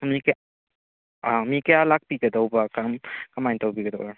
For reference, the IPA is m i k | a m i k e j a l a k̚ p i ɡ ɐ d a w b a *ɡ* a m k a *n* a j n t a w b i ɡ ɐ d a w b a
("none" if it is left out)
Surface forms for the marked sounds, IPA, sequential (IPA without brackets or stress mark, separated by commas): k, m